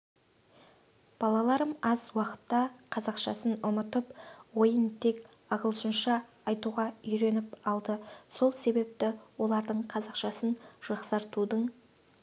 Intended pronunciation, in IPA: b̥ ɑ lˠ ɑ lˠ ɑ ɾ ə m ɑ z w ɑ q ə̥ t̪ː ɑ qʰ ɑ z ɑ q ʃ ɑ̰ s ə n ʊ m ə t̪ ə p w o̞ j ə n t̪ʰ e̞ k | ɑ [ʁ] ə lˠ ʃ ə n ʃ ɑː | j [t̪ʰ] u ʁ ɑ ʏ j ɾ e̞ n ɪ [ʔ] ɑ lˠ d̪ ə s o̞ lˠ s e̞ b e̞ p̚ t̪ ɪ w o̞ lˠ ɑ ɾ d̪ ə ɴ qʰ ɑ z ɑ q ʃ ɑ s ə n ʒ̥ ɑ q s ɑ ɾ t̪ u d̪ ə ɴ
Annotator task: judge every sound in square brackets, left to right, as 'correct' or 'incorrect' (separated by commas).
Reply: correct, incorrect, incorrect